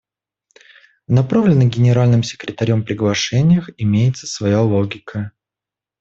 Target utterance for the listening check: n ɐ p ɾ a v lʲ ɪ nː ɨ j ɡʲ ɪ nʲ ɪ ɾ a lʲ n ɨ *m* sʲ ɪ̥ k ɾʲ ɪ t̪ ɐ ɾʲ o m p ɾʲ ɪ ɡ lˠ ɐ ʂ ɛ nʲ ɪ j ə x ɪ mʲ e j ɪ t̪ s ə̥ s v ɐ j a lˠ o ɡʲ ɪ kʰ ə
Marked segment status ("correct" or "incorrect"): correct